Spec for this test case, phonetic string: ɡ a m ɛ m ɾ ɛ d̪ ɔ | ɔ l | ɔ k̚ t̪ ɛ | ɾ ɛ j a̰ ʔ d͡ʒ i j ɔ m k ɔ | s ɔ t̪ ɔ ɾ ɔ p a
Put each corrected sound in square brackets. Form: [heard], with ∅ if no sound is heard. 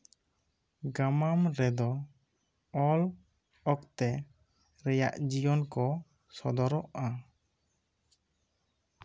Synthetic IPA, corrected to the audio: ɡ a m [a] m ɾ ɛ d̪ ɔ | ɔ l | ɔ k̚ t̪ ɛ | ɾ ɛ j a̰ ʔ d͡ʒ i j ɔ [n] k ɔ | s ɔ [d̪] ɔ ɾ ɔ [ʔ] a